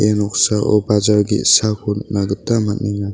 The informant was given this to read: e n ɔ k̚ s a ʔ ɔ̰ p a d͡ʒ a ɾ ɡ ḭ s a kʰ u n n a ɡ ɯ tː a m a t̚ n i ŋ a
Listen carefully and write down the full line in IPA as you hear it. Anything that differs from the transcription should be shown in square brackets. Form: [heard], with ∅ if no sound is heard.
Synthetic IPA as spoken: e n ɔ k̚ s a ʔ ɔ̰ [b] a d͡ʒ a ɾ ɡ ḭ s a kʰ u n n a ɡ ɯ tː a m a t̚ n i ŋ a